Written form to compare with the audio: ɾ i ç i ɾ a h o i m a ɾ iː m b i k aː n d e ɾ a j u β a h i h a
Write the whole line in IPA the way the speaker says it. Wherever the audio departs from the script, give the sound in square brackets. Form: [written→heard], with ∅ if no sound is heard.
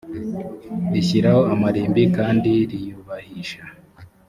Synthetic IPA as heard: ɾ i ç i ɾ a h o [i→a] m a ɾ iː m b i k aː n d [e→i] ɾ [a→i] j u β a h i [h→ʃ] a